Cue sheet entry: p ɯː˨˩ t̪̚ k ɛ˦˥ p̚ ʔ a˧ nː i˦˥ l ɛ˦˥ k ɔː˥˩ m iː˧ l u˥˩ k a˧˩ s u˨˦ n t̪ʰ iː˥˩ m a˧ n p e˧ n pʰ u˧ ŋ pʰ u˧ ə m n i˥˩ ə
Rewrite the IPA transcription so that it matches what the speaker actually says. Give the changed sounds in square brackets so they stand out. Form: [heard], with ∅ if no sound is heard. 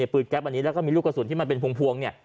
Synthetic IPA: p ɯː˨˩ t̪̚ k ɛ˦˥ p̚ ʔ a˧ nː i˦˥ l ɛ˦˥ k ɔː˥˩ m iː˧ l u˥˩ k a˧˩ s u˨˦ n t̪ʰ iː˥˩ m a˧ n p e˧ n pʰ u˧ ŋ pʰ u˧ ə [ŋ] n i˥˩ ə